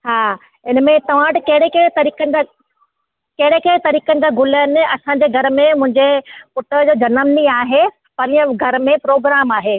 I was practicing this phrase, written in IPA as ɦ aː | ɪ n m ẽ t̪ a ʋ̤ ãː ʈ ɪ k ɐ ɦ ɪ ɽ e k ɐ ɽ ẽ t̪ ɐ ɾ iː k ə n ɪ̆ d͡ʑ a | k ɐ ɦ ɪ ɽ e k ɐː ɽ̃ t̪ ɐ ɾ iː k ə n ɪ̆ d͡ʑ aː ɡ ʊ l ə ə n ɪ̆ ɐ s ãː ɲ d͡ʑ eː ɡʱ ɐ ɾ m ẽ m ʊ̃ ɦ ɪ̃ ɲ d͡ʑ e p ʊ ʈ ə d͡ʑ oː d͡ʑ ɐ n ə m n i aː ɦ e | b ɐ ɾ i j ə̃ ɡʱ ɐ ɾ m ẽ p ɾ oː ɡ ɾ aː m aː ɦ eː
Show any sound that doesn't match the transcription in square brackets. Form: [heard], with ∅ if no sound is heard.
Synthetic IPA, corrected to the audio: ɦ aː | ɪ n m ẽ t̪ [ɐ] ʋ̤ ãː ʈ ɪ k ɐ ɦ ɪ ɽ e k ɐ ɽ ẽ t̪ ɐ ɾ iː k ə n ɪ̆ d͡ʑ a | k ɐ ɦ ɪ ɽ e k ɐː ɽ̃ t̪ ɐ ɾ iː k ə n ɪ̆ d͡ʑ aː ɡ ʊ l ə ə n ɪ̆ ɐ s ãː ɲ d͡ʑ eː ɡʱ ɐ ɾ m ẽ m ʊ̃ ɦ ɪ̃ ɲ d͡ʑ e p ʊ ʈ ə d͡ʑ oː d͡ʑ ɐ n ə m n i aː ɦ e | [p] ɐ ɾ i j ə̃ ɡʱ ɐ ɾ m ẽ p ɾ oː ɡ ɾ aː m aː ɦ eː